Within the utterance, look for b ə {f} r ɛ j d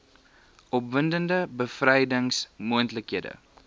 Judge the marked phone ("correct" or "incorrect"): correct